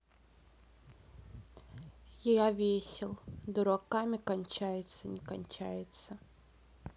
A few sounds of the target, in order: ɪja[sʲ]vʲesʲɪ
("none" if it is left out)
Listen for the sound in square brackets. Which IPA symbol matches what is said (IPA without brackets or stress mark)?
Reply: none